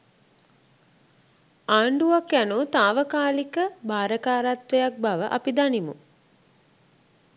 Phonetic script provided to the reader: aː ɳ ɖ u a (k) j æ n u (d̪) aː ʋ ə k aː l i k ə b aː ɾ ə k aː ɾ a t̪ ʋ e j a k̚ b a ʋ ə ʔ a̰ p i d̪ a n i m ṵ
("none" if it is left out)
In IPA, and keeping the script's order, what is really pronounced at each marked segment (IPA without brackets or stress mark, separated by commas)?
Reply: k, t̪